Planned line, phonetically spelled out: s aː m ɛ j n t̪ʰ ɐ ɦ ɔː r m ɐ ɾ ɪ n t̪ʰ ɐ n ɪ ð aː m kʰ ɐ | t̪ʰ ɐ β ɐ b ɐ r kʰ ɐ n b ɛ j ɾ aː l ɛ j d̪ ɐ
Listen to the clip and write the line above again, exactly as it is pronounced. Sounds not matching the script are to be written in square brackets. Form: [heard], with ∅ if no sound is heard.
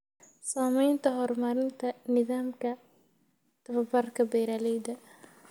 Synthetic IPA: s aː m ɛ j n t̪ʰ ɐ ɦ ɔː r m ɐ ɾ ɪ n t̪ʰ ɐ n ɪ ð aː m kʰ ɐ | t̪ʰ ɐ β ɐ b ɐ r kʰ ɐ [∅] b ɛ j ɾ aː l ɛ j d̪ ɐ